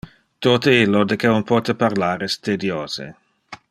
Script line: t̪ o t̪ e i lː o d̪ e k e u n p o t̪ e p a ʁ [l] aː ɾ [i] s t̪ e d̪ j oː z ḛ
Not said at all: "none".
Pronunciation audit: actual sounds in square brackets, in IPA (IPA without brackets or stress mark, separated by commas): l, ɛ